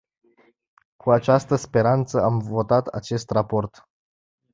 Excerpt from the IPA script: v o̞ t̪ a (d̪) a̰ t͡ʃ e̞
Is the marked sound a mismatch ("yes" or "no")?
yes